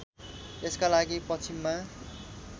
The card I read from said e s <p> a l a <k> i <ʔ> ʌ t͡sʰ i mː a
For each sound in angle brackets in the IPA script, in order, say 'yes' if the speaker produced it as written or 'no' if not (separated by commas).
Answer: no, no, no